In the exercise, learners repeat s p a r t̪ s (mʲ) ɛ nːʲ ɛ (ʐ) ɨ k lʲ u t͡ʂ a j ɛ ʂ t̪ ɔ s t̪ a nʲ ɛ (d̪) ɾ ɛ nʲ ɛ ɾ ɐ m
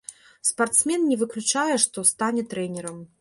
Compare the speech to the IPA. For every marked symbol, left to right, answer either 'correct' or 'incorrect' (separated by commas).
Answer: correct, incorrect, incorrect